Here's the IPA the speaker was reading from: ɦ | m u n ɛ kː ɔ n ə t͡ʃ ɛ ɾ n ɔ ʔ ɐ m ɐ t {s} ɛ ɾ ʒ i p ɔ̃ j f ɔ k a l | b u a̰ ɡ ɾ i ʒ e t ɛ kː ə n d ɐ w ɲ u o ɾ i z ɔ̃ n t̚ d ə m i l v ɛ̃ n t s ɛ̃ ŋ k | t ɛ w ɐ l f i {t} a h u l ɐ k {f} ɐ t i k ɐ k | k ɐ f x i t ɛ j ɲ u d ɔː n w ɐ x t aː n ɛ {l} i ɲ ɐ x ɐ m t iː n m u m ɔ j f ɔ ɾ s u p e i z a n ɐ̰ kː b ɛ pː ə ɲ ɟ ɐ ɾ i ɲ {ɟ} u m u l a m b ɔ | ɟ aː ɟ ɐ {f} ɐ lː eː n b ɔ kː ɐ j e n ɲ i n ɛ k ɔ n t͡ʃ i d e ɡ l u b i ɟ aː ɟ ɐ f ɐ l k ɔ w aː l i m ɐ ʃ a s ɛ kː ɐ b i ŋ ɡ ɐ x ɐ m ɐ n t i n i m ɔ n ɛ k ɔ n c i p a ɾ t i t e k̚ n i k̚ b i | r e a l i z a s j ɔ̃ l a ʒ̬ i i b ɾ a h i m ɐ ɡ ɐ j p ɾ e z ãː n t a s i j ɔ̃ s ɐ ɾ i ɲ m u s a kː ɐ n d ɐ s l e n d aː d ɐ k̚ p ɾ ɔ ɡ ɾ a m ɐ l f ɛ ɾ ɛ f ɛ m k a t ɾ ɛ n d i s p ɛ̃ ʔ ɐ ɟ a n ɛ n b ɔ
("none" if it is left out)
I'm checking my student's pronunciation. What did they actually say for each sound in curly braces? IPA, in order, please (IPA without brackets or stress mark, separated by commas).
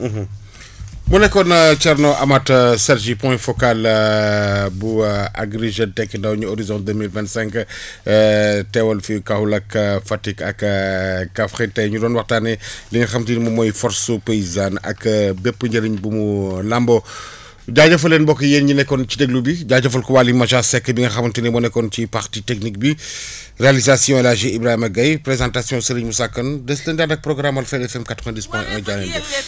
s, k, f, l, b, f